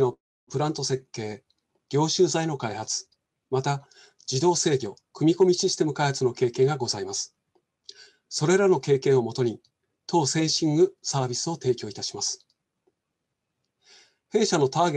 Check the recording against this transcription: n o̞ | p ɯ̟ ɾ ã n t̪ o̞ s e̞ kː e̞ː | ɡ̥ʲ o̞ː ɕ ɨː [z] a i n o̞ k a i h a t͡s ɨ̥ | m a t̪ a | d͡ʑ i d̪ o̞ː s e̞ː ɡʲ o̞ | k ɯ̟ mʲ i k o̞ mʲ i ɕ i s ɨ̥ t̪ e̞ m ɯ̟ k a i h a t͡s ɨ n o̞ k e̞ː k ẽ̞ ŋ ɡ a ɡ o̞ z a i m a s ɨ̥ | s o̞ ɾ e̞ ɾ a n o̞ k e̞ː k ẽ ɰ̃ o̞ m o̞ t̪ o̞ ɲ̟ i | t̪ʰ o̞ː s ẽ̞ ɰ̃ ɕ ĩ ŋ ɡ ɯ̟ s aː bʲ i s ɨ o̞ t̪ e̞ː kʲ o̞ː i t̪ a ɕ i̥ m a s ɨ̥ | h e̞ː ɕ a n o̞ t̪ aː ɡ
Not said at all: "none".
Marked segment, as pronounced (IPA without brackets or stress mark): z